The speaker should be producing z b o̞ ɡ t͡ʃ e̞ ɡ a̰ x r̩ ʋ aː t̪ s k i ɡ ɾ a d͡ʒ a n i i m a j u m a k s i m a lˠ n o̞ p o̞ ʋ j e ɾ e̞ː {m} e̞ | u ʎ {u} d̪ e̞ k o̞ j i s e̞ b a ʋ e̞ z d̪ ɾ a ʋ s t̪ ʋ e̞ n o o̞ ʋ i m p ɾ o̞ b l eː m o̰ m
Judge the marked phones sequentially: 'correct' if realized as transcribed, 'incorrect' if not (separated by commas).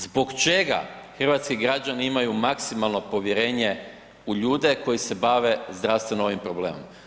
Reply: incorrect, incorrect